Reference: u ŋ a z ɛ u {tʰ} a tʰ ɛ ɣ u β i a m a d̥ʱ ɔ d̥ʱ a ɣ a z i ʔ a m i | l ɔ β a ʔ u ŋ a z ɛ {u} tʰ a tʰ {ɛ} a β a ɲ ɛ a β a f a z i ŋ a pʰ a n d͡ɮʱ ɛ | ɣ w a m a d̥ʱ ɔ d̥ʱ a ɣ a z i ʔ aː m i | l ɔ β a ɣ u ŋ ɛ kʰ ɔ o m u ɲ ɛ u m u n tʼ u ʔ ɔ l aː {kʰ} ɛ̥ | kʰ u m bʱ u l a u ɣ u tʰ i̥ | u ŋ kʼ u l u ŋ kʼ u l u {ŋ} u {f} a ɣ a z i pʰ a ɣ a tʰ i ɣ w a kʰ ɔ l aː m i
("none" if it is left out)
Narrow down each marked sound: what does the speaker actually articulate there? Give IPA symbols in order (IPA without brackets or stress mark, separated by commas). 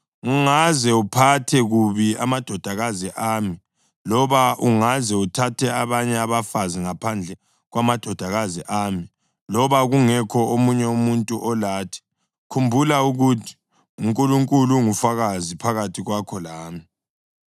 pʰ, u, ɛ, tʰ, ŋ, f